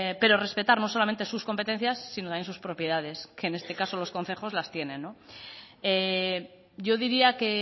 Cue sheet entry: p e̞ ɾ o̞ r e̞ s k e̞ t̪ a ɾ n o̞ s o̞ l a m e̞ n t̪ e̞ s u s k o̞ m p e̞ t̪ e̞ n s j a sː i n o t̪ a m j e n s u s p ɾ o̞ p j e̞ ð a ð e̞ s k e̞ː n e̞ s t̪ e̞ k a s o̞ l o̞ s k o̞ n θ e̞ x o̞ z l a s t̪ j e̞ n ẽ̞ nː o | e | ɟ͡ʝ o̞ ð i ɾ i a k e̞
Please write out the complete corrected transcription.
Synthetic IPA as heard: p e̞ ɾ o̞ r e̞ s p e̞ t̪ a ɾ n o̞ s o̞ l a m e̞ n t̪ e̞ s u s k o̞ m p e̞ t̪ e̞ n θ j a sː i n o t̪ a m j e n s u s p ɾ o̞ p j e̞ ð a ð e̞ s k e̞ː n e̞ s t̪ e̞ k a s o̞ l o̞ s k o̞ n θ e̞ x o̞ z l a s t̪ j e̞ n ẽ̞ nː o | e | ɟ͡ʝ o̞ ð i ɾ i a k e̞